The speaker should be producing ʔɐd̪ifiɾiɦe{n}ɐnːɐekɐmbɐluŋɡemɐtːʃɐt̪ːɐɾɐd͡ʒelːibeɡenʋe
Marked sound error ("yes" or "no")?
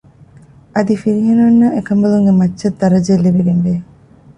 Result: no